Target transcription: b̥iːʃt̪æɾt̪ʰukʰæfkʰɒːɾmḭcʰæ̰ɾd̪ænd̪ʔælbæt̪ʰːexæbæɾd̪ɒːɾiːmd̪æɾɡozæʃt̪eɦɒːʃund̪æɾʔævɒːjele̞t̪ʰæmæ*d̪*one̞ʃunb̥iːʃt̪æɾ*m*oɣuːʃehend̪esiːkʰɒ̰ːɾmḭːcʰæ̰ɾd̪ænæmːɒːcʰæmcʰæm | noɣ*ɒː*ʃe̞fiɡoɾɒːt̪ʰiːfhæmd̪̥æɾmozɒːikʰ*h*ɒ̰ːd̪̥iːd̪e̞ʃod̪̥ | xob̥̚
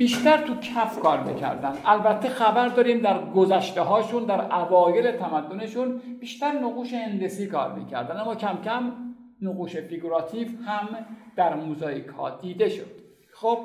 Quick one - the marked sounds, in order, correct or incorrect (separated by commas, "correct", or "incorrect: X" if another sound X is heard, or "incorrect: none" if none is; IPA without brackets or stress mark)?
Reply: incorrect: d̪ː, incorrect: n, incorrect: uː, correct